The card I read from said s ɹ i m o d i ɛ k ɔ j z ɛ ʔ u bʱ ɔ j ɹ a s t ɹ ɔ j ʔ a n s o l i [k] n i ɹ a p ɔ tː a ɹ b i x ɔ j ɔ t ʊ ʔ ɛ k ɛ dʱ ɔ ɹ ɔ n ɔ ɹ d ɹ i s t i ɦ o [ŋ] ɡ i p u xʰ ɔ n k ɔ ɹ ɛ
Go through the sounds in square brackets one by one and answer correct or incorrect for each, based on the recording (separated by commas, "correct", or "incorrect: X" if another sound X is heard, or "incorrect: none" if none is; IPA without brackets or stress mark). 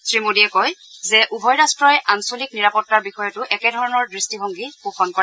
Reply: correct, correct